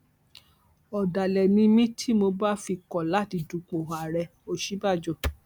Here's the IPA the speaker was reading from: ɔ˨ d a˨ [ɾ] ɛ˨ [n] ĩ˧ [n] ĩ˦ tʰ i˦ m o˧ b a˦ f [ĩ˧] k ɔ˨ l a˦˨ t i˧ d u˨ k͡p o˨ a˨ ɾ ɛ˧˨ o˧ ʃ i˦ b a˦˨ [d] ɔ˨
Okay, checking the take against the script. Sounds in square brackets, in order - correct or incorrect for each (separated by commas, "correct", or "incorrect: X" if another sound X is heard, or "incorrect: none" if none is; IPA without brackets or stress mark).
incorrect: l, correct, incorrect: m, incorrect: i˧, incorrect: d͡ʒ